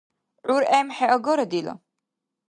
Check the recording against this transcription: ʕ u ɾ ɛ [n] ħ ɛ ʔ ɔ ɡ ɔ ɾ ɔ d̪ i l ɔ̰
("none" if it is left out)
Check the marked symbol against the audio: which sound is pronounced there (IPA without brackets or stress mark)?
m